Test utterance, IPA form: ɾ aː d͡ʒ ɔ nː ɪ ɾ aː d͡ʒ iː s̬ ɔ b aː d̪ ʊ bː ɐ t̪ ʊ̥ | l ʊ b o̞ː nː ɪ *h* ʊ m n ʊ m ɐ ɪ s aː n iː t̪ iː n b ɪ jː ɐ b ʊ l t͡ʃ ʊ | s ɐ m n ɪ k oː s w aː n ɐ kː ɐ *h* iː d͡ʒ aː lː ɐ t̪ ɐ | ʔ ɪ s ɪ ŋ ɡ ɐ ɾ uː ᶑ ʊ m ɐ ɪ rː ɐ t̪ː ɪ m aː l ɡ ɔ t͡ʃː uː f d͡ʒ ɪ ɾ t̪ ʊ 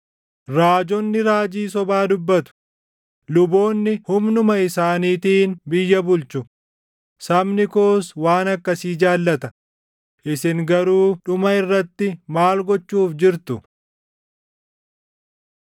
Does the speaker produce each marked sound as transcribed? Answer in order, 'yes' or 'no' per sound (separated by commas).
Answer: yes, no